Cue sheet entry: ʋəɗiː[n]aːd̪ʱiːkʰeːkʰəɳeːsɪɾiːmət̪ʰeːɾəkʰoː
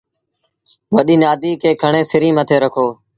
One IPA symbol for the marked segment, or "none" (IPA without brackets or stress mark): n